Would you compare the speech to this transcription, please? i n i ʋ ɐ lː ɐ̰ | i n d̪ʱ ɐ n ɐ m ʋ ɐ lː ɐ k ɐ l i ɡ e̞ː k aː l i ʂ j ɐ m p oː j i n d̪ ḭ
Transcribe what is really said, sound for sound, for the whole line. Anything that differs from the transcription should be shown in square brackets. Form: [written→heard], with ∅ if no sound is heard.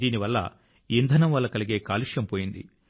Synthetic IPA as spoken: [i→iː] n i ʋ ɐ lː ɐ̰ | i n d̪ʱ ɐ n ɐ m ʋ ɐ lː ɐ k ɐ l i ɡ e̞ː k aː l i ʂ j ɐ m p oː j i n d̪ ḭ